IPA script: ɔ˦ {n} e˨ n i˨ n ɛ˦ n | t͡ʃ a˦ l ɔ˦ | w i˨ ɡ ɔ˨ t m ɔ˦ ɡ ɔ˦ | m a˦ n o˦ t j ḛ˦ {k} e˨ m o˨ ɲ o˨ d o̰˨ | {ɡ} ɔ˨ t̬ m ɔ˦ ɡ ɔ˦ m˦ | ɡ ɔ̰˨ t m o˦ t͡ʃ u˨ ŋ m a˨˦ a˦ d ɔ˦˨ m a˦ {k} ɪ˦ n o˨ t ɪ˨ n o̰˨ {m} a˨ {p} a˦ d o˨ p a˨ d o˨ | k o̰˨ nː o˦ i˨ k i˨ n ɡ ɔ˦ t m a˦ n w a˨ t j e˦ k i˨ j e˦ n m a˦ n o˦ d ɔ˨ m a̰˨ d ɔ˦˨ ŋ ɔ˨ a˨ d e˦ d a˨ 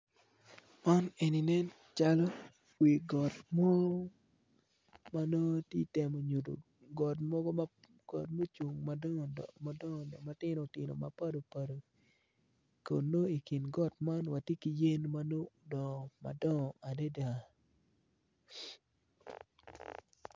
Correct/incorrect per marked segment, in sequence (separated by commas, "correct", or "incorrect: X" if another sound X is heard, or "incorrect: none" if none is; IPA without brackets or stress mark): correct, incorrect: t, correct, incorrect: t, correct, correct